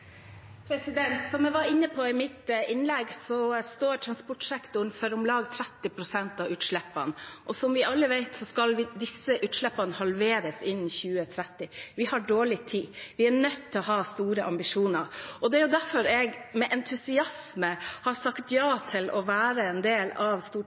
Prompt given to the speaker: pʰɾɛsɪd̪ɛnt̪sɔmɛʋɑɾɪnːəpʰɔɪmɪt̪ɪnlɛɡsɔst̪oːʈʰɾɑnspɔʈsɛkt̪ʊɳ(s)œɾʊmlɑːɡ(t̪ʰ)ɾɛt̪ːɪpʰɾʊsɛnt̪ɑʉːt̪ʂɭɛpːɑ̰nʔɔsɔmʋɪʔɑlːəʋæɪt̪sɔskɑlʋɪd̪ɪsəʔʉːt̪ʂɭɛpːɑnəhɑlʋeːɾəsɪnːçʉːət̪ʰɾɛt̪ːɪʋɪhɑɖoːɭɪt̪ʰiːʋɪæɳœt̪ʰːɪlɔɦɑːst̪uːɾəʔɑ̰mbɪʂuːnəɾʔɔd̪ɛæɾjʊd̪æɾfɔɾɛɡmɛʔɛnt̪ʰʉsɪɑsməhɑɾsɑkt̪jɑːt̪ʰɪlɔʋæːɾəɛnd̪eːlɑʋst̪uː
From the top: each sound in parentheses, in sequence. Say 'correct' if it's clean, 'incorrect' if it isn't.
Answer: incorrect: f, correct

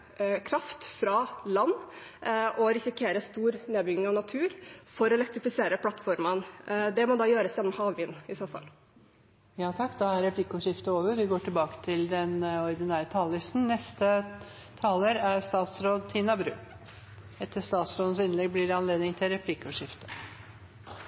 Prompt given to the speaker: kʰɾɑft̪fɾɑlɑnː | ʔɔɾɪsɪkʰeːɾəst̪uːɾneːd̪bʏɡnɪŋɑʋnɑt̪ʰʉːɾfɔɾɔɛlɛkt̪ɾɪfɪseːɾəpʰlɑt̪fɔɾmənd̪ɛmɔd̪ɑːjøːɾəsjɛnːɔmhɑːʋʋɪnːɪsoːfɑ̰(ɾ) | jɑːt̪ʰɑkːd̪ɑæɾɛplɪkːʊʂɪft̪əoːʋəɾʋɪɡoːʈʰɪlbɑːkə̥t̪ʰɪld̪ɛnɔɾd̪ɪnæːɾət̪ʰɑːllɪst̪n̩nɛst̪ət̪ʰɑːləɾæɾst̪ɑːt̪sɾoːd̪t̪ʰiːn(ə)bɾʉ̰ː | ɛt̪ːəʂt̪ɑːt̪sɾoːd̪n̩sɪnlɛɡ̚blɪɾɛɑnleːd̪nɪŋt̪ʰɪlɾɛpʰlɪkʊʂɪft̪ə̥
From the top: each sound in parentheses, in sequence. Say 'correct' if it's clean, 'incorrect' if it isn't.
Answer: incorrect: l, incorrect: ɑ

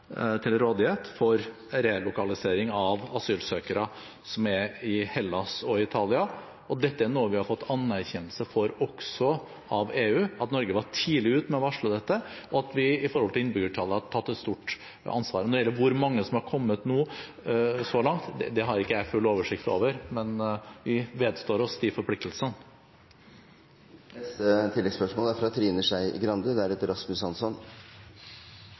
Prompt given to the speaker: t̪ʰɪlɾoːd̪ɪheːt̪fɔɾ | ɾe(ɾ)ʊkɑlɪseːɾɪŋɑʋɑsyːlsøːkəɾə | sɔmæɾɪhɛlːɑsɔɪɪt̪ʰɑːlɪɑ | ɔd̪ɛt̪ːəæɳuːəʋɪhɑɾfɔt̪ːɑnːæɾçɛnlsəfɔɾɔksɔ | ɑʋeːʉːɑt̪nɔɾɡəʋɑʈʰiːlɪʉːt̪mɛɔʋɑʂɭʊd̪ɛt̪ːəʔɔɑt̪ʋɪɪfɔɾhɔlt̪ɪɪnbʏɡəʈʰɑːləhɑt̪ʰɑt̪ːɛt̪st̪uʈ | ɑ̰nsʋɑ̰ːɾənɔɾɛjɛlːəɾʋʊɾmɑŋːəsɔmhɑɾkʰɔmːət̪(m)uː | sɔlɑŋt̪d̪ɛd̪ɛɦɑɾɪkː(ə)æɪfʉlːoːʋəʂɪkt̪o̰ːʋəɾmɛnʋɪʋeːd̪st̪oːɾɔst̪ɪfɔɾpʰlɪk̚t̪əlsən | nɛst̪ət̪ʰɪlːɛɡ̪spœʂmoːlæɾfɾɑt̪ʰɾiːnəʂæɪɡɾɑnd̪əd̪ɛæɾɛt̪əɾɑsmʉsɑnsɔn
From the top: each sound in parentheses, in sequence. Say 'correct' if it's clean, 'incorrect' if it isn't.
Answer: incorrect: l, incorrect: n, correct

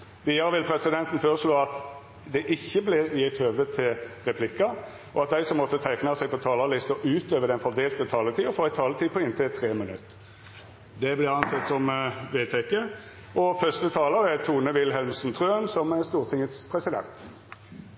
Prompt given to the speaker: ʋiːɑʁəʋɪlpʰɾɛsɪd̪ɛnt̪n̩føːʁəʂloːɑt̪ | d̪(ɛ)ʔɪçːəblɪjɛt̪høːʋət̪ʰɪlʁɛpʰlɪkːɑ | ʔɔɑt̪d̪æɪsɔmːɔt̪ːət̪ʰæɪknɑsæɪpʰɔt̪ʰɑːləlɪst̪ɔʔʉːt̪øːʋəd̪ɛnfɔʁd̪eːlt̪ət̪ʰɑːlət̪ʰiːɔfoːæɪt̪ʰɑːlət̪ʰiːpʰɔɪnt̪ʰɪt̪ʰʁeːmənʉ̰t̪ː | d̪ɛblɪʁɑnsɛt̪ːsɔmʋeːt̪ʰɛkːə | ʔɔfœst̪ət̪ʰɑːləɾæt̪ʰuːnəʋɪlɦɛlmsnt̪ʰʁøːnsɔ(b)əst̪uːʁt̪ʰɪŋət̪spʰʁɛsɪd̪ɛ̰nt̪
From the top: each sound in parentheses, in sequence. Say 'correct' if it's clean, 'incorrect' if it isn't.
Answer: correct, incorrect: m

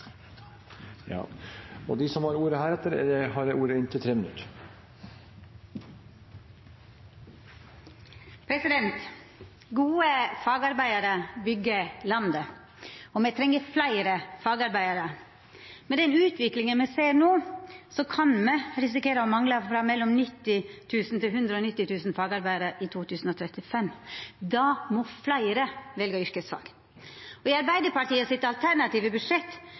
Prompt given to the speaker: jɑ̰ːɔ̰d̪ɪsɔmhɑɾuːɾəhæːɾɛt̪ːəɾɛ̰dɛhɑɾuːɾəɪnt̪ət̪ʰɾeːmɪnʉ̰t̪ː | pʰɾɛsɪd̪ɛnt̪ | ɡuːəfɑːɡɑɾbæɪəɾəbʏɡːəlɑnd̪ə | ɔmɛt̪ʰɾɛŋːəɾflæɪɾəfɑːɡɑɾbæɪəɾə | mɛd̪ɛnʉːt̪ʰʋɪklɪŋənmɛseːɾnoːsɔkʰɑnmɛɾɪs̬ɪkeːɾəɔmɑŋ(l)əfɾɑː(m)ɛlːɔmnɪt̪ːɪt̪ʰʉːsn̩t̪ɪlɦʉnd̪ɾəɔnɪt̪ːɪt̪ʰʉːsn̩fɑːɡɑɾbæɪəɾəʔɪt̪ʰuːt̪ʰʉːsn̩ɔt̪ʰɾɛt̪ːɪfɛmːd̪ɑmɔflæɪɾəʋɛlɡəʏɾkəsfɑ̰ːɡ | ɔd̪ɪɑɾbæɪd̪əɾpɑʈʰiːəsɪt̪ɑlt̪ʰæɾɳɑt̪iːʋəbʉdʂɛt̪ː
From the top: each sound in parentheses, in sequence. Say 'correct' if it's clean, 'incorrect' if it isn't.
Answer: correct, correct

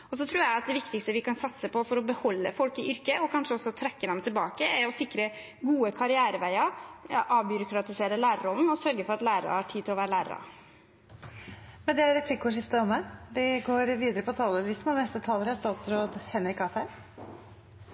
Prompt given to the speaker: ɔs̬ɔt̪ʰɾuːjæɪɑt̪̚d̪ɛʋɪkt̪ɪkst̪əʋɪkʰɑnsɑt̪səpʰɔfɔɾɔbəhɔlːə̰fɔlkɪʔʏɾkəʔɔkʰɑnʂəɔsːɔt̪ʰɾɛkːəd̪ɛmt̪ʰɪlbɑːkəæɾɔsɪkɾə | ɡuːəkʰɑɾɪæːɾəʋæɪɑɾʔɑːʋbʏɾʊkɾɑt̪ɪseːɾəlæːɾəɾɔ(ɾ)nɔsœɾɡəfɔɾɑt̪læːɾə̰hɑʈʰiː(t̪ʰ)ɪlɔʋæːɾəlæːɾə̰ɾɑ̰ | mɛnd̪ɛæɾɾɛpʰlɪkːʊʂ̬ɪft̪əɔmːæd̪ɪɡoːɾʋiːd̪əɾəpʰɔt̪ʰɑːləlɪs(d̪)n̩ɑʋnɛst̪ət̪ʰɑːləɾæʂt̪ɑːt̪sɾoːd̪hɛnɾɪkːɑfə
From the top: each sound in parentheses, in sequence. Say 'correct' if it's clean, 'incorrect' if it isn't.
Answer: incorrect: l, incorrect: t̪, incorrect: t̪

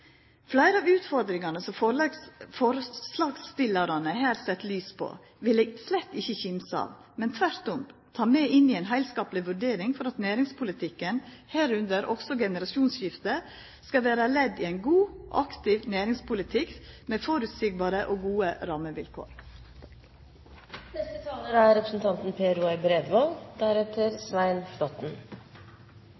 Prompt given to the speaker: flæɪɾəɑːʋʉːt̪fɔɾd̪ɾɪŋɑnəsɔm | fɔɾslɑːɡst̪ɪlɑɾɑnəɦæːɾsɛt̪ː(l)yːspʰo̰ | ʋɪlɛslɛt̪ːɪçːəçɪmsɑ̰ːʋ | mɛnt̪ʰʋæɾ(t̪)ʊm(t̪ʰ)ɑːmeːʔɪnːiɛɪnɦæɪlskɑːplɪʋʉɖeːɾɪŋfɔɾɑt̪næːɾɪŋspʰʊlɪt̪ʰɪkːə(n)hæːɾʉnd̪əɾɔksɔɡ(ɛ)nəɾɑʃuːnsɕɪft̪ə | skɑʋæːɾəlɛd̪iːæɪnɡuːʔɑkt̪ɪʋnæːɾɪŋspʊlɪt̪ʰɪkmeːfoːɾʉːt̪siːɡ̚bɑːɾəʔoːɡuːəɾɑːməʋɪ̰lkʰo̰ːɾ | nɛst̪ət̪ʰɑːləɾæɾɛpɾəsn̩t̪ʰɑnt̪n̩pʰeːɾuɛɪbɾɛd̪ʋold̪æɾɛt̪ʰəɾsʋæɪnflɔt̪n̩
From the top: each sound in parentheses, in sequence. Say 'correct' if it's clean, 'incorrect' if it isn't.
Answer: correct, correct, correct, correct, correct

